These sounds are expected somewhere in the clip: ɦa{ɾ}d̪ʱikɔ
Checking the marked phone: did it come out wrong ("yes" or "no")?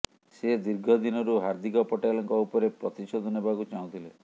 no